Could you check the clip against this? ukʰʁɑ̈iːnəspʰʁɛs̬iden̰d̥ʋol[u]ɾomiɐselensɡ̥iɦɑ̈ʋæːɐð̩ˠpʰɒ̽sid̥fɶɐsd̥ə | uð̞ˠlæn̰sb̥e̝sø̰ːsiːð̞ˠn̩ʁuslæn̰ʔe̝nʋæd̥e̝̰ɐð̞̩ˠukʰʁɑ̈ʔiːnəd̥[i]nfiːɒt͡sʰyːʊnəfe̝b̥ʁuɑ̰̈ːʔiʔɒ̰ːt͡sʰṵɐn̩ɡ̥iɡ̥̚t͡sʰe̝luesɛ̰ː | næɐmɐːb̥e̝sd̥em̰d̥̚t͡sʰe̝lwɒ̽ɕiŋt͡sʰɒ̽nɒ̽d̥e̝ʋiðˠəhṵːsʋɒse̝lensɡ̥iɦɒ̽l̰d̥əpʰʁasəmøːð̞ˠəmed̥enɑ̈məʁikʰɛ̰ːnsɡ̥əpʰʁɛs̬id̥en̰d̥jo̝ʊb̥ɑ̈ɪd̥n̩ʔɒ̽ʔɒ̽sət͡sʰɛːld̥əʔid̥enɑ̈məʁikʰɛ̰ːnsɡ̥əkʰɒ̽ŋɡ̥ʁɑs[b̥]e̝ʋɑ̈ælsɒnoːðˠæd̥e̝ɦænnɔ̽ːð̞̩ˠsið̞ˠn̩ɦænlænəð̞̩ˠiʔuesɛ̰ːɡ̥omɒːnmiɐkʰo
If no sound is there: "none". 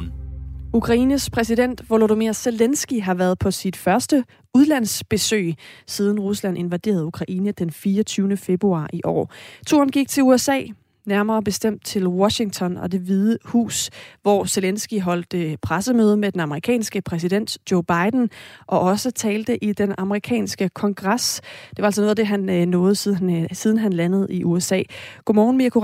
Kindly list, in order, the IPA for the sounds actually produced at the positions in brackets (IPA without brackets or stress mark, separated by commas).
o, e, d̥